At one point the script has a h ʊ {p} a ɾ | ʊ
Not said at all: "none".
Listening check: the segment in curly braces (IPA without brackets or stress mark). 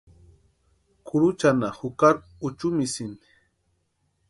k